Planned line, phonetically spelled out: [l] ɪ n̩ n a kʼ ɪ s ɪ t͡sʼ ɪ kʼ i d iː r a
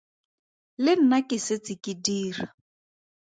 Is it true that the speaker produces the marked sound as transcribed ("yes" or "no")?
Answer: yes